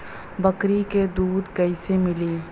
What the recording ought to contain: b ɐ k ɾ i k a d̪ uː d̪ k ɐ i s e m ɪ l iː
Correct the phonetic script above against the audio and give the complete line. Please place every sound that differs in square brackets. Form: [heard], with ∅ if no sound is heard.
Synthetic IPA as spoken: b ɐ k ɾ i k [e] d̪ uː d̪ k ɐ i s e m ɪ l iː